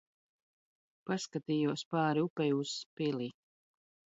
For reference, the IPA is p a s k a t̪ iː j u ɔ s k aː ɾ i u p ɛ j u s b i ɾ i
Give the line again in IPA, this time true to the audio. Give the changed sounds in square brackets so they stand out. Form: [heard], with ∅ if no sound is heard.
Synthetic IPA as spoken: p a s k a t̪ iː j u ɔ s [p] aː ɾ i u p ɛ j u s [p] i [l] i